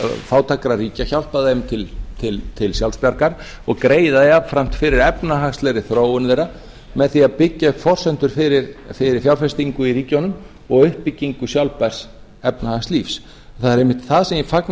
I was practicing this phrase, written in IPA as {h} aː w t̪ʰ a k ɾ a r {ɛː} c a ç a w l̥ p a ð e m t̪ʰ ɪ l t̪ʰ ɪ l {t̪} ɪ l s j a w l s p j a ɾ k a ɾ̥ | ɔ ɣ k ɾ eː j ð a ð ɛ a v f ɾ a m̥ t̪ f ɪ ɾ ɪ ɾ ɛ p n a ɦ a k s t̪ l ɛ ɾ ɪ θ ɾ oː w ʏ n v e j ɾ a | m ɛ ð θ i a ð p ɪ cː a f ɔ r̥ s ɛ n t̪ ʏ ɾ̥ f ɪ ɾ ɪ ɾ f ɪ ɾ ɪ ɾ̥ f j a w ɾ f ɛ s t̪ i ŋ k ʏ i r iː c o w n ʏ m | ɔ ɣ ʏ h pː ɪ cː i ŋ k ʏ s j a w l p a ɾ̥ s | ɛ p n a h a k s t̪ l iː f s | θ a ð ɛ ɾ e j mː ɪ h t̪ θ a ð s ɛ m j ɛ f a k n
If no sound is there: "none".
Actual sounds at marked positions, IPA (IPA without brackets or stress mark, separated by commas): f, iː, t̪ʰ